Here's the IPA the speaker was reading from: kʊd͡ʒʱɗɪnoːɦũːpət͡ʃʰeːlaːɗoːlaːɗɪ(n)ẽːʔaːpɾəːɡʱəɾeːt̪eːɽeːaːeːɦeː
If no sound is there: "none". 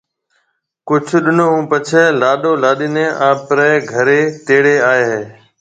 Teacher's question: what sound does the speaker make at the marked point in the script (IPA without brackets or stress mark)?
n